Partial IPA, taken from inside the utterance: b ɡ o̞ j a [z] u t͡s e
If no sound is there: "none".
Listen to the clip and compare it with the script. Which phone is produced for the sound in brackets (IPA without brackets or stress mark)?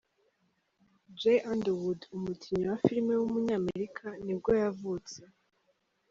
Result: v